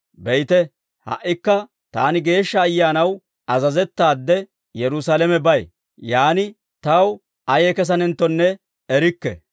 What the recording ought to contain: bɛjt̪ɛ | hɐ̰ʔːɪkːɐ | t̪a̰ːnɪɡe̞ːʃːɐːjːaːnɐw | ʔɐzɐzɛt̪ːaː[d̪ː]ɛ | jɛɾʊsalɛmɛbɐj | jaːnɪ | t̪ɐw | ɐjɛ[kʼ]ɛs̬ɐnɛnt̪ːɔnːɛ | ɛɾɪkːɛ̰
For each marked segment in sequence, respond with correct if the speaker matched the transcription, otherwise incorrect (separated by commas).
correct, incorrect